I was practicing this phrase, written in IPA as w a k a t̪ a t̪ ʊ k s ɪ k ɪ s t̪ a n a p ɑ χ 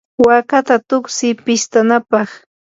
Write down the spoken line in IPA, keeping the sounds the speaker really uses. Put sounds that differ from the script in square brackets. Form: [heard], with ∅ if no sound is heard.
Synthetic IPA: w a k a t̪ a t̪ ʊ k s ɪ [p] ɪ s t̪ a n a p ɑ χ